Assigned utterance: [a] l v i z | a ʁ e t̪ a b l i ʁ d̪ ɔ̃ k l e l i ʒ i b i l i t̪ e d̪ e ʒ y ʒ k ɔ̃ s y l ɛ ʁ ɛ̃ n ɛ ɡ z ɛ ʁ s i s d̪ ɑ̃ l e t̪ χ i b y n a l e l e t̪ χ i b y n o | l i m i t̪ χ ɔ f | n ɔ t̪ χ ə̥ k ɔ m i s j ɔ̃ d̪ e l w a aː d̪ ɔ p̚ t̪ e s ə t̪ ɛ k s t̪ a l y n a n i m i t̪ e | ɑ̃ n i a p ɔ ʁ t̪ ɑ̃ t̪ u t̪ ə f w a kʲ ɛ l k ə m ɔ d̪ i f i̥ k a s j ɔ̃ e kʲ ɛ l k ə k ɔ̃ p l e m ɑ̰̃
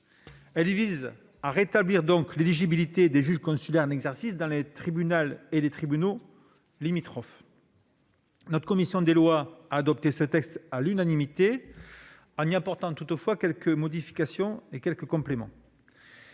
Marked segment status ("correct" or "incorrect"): incorrect